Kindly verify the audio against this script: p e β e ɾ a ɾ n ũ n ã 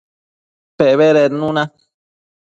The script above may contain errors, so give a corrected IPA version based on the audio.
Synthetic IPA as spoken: p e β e ɾ e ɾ n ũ n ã